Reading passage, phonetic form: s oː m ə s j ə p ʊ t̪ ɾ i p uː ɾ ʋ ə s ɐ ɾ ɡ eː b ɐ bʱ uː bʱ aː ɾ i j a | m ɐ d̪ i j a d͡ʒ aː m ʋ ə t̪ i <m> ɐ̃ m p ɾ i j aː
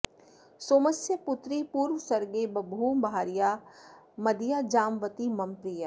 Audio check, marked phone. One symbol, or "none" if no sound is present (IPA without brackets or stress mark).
m